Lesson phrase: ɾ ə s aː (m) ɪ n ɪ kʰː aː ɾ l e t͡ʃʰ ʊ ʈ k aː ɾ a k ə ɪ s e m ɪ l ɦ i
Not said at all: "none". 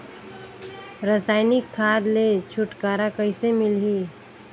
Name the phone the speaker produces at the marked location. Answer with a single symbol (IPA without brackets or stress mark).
none